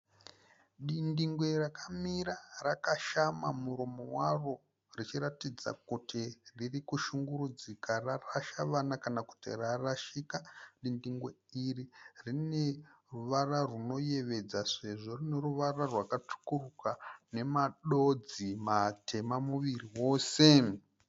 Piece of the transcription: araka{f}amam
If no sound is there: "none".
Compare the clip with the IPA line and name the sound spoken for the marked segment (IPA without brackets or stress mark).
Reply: ʃ